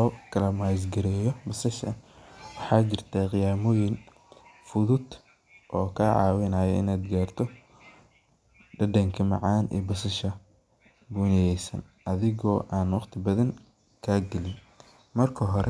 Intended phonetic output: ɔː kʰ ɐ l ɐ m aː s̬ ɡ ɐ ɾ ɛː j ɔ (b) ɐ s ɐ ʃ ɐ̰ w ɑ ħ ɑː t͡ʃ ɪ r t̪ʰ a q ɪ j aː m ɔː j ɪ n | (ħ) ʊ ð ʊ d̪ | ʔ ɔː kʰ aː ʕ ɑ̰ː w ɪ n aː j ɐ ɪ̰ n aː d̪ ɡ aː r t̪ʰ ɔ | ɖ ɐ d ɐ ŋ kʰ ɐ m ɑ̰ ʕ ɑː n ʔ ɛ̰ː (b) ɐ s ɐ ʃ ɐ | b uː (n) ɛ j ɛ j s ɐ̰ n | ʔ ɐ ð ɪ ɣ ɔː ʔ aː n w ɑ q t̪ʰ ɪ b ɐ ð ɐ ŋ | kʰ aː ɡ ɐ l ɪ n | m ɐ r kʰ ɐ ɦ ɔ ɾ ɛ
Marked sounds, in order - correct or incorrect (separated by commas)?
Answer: correct, incorrect, correct, correct